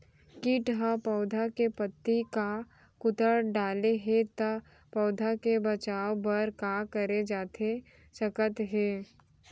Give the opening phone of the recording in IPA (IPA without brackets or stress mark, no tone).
k